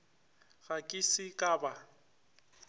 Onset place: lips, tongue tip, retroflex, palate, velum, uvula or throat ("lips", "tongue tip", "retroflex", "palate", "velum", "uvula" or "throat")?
velum